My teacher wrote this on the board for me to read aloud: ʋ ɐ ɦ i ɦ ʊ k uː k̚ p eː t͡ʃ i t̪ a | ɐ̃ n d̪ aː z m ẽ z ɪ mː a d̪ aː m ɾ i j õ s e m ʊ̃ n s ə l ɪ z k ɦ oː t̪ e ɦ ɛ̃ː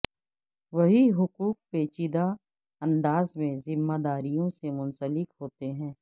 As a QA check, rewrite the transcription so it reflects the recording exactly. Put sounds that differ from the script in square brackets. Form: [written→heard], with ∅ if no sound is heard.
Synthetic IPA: ʋ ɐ ɦ i ɦ ʊ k uː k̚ p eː t͡ʃ i [t̪→d̪] a | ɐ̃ n d̪ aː z m ẽ z ɪ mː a d̪ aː [m→∅] ɾ i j õ s e m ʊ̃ n s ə l ɪ [z→∅] k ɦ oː t̪ e ɦ ɛ̃ː